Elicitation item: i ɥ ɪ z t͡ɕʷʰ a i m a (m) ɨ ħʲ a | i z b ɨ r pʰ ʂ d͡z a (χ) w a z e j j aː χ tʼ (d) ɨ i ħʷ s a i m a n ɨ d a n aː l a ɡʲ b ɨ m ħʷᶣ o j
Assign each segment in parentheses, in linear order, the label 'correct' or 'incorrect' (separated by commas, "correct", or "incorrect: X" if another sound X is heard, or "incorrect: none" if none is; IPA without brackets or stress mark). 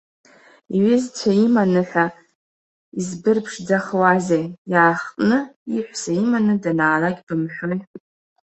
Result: incorrect: n, correct, incorrect: n